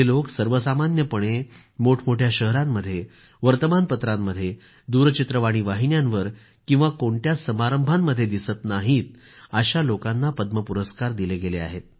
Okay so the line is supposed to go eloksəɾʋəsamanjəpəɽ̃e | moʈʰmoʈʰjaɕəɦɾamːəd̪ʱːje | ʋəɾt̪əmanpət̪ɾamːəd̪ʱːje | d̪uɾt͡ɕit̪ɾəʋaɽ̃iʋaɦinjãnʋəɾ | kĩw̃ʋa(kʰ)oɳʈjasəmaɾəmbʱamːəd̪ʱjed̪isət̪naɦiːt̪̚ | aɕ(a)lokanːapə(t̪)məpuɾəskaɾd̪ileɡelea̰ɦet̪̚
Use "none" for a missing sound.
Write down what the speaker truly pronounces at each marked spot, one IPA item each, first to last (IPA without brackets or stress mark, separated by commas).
k, a, d̪